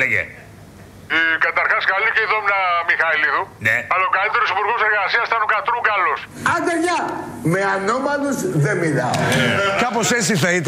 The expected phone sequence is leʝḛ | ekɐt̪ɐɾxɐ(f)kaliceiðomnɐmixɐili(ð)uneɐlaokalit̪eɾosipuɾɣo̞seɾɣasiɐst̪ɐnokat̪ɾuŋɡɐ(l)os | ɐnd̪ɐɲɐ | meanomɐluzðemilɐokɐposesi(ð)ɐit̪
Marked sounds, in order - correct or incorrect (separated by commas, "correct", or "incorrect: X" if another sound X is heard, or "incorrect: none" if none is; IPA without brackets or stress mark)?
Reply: incorrect: s, correct, correct, incorrect: θ